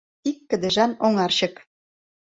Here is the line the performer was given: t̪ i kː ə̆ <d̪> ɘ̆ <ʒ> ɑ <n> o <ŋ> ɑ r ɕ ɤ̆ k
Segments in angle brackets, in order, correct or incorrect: correct, correct, correct, correct

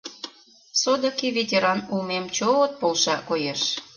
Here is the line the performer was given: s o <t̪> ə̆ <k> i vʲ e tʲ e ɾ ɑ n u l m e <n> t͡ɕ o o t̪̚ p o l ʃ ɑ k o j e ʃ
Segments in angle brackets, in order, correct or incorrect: incorrect: d̪, correct, incorrect: m

